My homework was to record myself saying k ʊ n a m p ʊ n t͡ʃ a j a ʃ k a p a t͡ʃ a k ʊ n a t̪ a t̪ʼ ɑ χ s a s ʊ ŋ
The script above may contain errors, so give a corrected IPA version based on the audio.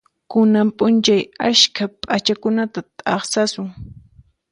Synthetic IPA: k ʊ n a m pʼ ʊ n t͡ʃ a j a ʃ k a pʼ a t͡ʃ a k ʊ n a t̪ a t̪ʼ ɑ χ s a s ʊ ŋ